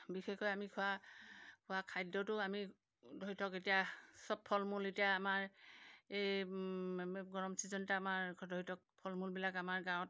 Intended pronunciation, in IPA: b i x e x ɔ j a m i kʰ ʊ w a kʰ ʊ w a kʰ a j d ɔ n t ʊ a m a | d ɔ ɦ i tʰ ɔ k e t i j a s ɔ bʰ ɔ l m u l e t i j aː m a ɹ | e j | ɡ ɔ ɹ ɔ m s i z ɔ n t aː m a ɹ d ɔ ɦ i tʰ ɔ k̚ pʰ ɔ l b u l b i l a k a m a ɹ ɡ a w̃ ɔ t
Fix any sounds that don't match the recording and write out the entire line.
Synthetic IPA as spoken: b i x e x ɔ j a m i kʰ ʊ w a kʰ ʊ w a kʰ a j d ɔ t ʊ a m i | d ɔ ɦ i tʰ ɔ k e t i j a s ɔ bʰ ɔ l m u l e t i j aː m a ɹ | e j | ɡ ɔ ɹ ɔ m s i z ɔ n t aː m a ɹ d ɔ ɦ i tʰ ɔ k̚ pʰ ɔ l m u l b i l a k a m a ɹ ɡ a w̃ ɔ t